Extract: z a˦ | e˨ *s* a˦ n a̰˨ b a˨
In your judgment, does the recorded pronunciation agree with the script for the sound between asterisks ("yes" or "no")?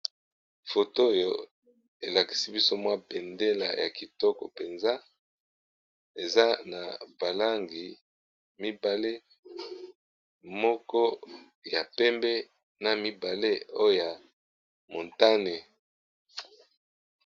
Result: no